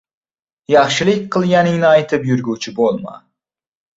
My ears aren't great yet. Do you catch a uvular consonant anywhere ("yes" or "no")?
yes